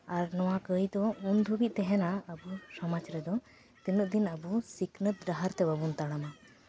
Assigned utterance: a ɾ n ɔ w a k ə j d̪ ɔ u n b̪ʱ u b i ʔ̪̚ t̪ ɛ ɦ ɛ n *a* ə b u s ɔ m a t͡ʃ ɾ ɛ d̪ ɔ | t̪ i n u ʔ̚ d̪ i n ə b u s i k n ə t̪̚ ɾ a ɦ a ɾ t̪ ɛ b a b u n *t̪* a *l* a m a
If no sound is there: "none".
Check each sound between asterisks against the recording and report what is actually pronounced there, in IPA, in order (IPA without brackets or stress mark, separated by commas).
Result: a, t̪, ɽ